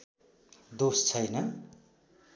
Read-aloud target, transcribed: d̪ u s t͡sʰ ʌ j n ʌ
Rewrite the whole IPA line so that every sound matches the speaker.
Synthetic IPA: d̪ o s t͡sʰ ʌ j n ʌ